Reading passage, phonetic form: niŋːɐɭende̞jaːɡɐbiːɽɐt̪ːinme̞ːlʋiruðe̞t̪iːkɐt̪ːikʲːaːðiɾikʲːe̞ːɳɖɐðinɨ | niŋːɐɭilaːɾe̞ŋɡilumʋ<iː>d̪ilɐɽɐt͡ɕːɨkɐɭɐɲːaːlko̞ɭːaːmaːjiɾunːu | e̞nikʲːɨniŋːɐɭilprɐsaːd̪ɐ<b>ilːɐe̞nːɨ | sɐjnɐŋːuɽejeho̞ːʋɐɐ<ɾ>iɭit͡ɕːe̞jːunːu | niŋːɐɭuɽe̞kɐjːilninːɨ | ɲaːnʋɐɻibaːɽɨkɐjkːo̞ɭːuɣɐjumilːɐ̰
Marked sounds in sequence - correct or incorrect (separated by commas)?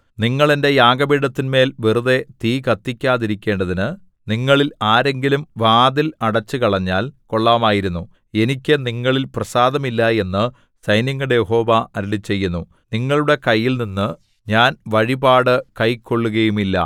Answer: incorrect, incorrect, correct